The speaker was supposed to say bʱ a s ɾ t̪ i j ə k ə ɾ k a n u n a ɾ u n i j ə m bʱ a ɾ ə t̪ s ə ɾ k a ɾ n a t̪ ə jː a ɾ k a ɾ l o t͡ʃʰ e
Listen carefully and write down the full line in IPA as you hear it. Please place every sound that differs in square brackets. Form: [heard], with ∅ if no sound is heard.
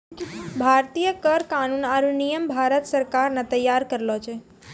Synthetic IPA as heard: bʱ a [∅] ɾ t̪ i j ə k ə ɾ k a n u n a ɾ u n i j ə m bʱ a ɾ ə t̪ s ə ɾ k a ɾ n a t̪ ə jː a ɾ k [ə] ɾ l o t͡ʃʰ e